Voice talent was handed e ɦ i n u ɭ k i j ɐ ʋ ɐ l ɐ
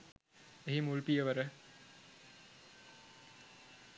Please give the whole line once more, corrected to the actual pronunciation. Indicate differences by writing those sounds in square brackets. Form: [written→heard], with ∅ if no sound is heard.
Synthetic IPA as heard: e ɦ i [n→m] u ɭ [k→p] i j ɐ ʋ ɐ [l→ɾ] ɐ